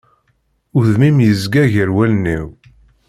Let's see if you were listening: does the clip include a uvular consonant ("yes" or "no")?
no